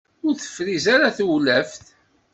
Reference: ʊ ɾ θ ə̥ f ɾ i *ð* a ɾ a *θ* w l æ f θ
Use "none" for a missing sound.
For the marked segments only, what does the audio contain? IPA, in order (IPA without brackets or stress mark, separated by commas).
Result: z, θ